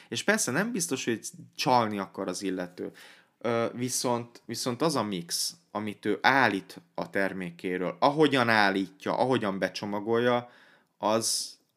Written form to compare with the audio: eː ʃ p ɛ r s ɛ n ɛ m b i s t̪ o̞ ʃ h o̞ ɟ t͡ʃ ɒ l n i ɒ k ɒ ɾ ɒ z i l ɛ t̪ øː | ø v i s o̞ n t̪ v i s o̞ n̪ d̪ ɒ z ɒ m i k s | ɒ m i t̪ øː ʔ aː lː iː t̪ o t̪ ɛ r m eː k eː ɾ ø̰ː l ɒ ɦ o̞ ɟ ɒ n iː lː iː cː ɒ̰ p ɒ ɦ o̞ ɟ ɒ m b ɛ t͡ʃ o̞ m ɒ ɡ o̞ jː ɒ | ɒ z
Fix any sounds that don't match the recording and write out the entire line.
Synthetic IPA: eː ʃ p ɛ r s ɛ n ɛ m b i s t̪ o̞ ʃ h o̞ ɟ t͡ʃ ɒ l n i ɒ k ɒ ɾ ɒ z i lː ɛ t̪ øː | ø v i s o̞ n t̪ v i s o̞ n̪ t̪ ɒ z ɒ m i k s | ɒ m i t̪ øː ʔ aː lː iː t̪ ɒ t̪ ɛ r m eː k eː ɾ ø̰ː l ɒ ɦ o̞ ɟ ɒ n aː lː iː cː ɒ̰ ʔ ɒ ɦ o̞ ɟ ɒ m b ɛ t͡ʃ o̞ m ɒ ɡ o̞ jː ɒ | ɒ z